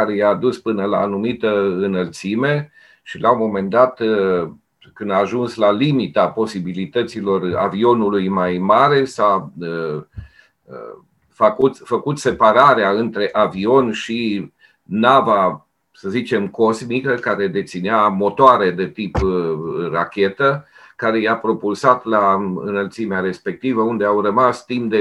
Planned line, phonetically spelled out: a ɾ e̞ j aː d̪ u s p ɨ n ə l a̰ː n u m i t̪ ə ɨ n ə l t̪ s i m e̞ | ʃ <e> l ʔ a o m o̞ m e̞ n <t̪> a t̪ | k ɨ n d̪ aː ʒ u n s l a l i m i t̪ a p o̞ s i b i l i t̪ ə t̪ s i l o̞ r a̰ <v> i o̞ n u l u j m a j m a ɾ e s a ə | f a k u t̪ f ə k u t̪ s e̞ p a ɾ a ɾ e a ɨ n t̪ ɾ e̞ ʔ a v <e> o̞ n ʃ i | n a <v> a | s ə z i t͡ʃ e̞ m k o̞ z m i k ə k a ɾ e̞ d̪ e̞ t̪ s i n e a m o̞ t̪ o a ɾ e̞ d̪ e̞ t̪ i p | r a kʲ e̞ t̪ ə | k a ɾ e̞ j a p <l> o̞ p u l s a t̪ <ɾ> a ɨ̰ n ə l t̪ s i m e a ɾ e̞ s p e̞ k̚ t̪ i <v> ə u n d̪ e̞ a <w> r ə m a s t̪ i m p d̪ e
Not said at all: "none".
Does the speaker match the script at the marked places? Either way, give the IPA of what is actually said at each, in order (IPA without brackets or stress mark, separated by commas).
i, d̪, v, i, v, ɾ, l, v, w